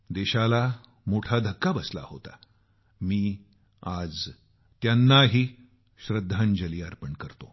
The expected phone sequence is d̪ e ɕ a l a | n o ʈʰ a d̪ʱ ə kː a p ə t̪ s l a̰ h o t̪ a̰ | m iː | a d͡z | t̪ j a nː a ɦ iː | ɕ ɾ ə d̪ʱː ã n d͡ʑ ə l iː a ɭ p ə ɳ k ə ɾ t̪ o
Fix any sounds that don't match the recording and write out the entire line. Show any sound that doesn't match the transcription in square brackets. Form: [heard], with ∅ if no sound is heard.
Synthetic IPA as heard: d̪ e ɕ a l a | [m] o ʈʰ a d̪ʱ ə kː a [b] ə [∅] s l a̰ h o t̪ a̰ | m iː | a d͡z | t̪ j a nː a ɦ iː | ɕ ɾ ə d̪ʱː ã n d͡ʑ ə l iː a [ɾ] p ə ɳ k ə ɾ t̪ o

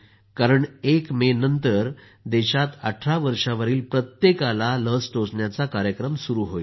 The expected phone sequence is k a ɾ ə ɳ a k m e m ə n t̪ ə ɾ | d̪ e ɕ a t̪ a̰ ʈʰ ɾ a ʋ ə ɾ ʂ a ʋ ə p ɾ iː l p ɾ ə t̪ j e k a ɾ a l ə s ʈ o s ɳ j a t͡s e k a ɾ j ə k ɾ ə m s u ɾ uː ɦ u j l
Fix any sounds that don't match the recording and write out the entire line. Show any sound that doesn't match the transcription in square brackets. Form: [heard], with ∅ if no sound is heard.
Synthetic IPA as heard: k a ɾ ə ɳ [e] k m e [n] ə n t̪ ə ɾ | d̪ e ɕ a t̪ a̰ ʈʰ ɾ a ʋ ə ɾ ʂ a ʋ ə [∅] ɾ iː l p ɾ ə t̪ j e k a [l] a l ə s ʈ o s ɳ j a t͡s [a] k a ɾ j ə k ɾ ə m s u ɾ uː ɦ [o] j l

